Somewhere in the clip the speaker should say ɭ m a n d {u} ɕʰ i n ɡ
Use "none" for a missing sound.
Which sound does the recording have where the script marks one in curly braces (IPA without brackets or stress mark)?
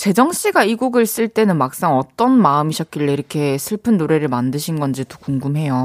ɯ